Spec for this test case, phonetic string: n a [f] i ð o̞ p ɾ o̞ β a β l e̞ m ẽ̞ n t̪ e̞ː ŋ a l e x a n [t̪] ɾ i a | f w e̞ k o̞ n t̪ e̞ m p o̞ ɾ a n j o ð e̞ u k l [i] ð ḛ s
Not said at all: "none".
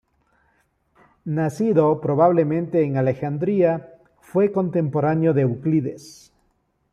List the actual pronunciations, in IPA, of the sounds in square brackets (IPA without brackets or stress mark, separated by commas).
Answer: s, d̪, i